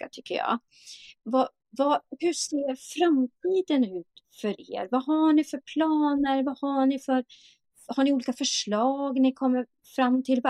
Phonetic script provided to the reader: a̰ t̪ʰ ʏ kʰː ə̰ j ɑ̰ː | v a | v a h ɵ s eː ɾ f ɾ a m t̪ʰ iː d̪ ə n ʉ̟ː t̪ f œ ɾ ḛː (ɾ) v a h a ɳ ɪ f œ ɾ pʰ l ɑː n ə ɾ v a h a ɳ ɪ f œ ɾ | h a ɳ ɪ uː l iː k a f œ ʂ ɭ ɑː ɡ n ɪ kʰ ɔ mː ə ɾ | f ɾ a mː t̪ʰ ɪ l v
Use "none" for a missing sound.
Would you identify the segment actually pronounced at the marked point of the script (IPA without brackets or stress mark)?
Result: ɾ